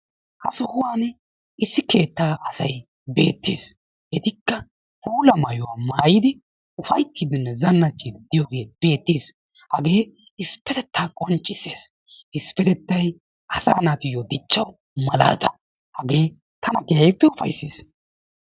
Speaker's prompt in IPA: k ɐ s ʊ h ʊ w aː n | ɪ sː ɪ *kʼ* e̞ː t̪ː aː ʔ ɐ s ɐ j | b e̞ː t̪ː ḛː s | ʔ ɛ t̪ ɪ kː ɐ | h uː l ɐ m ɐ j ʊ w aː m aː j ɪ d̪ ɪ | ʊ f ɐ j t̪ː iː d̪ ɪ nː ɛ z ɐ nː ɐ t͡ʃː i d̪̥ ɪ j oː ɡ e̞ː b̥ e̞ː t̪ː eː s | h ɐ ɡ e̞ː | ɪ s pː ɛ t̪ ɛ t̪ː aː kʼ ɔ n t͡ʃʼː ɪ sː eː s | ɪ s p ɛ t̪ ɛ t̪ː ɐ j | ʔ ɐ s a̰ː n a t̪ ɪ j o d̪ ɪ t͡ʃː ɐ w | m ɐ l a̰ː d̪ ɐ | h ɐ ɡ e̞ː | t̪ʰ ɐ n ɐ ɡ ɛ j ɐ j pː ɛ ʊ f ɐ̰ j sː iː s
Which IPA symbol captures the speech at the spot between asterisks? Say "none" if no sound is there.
k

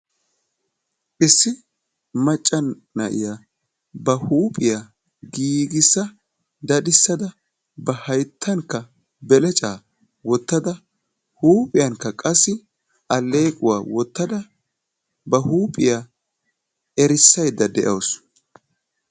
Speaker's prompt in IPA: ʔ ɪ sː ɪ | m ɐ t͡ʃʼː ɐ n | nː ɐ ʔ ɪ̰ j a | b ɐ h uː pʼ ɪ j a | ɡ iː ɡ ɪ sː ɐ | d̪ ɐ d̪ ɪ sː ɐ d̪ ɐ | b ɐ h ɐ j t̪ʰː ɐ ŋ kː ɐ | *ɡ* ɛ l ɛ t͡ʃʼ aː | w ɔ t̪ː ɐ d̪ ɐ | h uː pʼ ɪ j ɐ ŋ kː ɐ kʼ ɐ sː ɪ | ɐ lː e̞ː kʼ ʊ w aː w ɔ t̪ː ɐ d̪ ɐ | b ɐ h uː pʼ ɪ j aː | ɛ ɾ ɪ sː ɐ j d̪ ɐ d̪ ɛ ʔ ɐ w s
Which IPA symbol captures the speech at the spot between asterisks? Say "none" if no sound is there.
b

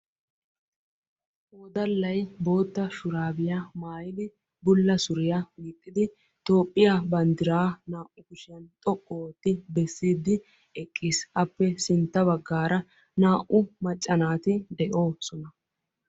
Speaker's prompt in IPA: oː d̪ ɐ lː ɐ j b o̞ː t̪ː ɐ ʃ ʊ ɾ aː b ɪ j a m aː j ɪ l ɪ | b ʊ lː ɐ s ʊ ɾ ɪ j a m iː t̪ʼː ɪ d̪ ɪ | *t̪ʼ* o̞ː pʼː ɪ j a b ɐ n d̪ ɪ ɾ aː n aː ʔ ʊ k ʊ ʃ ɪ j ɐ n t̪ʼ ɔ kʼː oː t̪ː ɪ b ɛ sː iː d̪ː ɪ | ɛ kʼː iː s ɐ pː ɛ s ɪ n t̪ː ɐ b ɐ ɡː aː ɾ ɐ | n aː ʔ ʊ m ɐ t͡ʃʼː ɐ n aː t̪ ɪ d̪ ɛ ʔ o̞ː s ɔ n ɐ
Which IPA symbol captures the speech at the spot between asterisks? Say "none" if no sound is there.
t̪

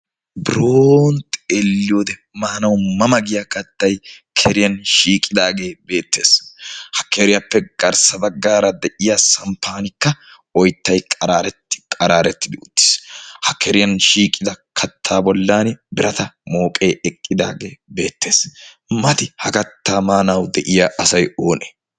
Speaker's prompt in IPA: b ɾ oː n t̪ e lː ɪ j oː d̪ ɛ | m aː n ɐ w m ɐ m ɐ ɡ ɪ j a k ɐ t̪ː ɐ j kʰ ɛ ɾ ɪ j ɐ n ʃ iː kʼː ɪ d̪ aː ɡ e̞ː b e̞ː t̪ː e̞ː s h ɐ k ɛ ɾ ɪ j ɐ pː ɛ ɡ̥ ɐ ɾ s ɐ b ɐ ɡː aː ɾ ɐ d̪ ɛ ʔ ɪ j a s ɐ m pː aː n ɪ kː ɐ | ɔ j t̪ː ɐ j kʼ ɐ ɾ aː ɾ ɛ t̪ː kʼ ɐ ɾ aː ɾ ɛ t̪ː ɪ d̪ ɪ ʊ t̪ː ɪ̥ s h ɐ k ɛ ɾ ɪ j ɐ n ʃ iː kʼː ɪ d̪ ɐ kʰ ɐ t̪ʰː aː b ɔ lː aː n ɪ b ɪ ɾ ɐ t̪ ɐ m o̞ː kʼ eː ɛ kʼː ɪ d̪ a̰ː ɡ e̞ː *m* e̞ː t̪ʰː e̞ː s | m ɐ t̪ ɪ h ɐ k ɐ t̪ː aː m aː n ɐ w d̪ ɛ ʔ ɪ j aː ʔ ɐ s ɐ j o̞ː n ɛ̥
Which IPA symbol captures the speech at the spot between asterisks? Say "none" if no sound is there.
b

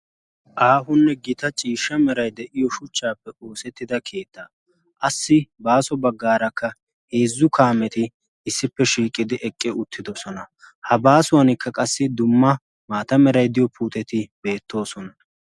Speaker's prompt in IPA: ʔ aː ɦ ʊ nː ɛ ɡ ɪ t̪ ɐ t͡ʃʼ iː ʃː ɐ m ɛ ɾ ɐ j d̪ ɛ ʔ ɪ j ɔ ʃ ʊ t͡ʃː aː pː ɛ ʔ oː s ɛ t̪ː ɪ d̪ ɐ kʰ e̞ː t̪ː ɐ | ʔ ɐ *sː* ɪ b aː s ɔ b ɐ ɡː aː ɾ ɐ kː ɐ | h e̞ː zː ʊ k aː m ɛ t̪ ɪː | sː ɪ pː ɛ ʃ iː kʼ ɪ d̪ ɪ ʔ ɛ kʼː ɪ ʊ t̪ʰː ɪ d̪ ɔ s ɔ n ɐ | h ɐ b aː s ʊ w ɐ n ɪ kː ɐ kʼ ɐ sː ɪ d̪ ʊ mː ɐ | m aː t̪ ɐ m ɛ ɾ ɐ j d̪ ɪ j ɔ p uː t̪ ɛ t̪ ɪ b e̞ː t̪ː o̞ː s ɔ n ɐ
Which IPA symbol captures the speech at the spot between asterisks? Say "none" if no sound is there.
sː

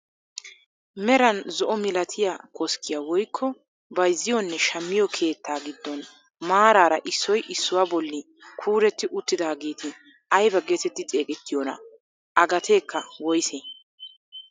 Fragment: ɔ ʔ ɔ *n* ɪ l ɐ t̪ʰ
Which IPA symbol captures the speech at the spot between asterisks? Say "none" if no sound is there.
m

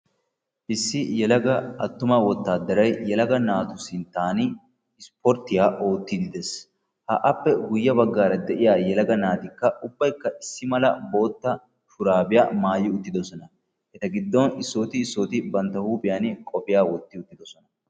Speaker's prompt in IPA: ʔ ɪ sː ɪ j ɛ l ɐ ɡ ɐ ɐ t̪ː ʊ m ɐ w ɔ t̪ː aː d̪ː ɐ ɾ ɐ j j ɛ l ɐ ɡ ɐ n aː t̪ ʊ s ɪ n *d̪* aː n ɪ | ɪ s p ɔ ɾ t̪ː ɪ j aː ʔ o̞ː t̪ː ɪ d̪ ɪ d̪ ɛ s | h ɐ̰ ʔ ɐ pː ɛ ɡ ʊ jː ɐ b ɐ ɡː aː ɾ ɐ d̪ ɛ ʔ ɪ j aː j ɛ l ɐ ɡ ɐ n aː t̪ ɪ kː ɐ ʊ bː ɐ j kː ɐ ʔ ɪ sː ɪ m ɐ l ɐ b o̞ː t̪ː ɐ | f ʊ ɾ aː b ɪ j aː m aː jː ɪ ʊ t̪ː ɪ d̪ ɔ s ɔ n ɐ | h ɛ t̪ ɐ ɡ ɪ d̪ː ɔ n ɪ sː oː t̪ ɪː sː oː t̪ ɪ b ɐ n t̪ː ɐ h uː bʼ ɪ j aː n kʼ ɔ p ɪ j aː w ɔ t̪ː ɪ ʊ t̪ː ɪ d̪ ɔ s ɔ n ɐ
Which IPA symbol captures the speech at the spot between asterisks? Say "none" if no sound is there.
t̪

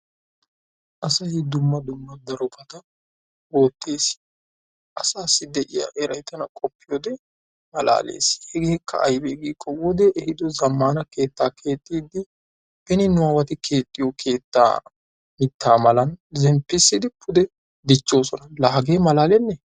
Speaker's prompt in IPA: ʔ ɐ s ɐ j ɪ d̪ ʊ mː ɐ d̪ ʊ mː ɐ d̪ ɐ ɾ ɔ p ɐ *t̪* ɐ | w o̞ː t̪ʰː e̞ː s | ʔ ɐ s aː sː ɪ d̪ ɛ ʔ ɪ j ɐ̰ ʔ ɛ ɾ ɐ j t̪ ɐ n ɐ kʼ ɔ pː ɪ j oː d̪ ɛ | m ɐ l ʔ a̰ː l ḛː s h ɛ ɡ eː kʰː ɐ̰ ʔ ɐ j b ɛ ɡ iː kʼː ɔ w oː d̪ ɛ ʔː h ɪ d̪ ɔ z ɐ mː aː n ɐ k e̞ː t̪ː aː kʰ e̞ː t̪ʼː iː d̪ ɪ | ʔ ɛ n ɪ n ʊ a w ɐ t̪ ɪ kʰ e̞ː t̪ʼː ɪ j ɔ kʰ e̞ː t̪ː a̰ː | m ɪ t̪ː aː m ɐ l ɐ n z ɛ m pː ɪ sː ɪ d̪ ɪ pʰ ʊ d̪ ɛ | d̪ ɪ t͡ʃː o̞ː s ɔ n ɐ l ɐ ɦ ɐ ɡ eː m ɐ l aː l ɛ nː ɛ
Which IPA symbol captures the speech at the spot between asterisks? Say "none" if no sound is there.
t̪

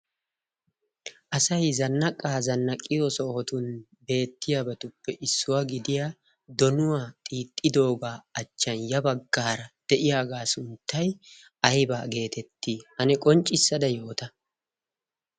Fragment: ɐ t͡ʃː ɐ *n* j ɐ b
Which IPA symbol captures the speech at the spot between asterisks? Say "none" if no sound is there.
n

